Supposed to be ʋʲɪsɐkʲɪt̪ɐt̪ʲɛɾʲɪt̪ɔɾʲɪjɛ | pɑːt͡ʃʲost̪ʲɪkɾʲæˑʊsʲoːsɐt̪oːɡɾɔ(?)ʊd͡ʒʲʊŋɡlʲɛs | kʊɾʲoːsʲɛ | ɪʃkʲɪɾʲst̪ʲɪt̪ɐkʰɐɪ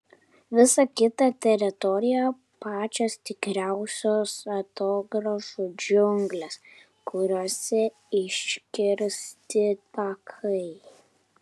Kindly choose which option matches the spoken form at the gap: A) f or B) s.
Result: A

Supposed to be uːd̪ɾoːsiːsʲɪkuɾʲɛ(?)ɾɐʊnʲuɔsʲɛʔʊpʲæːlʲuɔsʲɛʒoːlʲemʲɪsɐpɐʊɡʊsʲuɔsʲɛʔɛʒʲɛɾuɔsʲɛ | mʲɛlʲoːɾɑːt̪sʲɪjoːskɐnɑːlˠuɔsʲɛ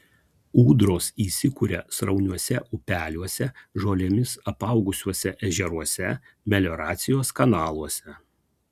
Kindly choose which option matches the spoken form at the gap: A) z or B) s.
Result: B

